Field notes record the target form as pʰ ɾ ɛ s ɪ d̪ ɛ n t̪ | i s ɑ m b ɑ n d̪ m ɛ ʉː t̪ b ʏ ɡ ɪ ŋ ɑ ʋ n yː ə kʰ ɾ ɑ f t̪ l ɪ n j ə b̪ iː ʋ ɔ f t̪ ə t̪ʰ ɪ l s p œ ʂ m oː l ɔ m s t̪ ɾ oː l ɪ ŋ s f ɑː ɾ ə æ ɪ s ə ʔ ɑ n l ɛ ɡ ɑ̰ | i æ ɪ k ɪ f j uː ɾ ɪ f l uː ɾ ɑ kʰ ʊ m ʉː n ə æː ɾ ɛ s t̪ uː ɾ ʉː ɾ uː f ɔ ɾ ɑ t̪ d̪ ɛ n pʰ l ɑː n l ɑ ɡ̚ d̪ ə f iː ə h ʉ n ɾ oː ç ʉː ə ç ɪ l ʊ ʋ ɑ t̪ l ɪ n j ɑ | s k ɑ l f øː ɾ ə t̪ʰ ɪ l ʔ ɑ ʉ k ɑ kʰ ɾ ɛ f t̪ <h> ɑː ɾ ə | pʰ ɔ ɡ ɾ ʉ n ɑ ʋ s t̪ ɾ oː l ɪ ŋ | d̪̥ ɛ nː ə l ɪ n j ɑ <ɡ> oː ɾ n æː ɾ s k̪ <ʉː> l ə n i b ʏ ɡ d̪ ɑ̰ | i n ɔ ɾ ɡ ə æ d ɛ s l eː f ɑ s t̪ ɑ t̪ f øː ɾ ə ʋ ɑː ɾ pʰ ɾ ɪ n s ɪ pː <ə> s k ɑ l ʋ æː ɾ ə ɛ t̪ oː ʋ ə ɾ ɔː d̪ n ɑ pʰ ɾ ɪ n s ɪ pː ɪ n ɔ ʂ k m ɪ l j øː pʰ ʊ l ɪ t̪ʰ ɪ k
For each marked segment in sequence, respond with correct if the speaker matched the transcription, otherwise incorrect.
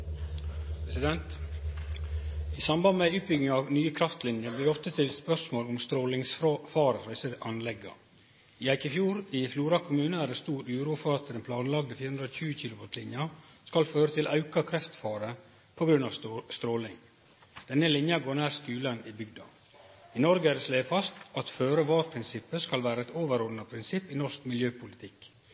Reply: incorrect, correct, correct, correct

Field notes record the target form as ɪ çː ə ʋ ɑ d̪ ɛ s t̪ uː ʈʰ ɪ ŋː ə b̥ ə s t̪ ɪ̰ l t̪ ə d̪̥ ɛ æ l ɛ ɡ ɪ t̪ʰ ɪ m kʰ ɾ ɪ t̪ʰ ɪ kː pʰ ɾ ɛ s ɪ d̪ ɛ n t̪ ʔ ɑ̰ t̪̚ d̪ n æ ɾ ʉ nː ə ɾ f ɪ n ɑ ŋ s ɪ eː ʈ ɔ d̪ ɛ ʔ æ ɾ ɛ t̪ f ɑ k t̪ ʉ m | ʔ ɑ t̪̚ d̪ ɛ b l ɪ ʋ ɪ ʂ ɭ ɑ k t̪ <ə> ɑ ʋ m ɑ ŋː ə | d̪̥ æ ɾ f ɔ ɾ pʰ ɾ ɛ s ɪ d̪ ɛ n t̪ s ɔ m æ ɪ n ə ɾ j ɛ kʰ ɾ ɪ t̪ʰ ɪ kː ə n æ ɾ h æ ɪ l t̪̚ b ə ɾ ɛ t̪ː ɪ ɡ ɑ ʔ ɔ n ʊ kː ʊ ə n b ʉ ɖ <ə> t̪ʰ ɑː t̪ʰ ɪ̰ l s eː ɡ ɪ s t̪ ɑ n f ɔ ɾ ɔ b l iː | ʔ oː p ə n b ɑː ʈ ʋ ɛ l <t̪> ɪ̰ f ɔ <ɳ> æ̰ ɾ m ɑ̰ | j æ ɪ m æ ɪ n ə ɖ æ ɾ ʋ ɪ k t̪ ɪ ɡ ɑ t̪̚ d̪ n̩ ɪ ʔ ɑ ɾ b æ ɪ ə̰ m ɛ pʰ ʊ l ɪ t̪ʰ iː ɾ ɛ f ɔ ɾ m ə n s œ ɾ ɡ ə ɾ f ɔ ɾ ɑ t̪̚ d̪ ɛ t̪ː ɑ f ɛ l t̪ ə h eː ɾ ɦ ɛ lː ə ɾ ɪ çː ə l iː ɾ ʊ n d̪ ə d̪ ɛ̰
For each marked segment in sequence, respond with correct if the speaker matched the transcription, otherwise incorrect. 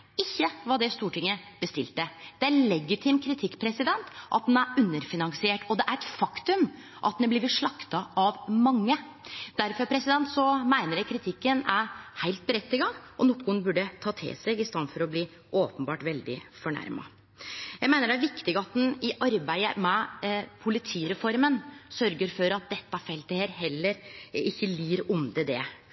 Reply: incorrect, correct, incorrect, correct

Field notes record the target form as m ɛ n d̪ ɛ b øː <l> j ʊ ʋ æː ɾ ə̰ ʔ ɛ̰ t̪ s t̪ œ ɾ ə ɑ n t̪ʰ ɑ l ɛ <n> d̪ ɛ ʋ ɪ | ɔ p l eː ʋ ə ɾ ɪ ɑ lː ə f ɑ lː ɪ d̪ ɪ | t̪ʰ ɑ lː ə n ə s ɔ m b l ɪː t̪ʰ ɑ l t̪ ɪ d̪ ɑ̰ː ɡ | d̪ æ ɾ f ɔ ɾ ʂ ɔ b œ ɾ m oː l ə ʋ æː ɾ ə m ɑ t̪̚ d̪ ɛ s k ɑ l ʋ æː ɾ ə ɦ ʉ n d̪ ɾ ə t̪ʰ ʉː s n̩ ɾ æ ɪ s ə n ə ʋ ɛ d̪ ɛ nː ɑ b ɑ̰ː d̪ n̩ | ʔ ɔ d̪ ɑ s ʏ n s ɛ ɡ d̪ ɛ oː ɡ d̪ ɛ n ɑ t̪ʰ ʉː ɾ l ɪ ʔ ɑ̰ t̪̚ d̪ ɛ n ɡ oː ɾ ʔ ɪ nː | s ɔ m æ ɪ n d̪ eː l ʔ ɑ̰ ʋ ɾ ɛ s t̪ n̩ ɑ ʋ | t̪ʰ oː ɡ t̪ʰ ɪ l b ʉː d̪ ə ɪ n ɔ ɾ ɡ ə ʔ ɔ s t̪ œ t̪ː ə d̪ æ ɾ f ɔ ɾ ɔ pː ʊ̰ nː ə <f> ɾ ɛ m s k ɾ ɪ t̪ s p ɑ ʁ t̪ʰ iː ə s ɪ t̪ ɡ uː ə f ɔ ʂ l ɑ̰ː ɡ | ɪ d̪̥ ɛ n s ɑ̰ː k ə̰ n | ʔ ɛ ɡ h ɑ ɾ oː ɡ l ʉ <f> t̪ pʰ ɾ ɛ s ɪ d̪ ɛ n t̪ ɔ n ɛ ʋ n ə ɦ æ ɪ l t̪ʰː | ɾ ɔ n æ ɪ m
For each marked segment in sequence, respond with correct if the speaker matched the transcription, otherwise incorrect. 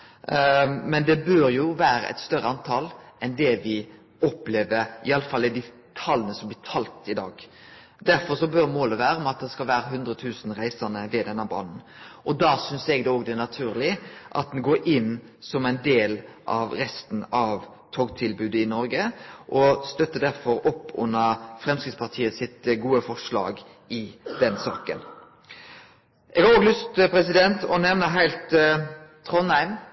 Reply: incorrect, correct, correct, incorrect

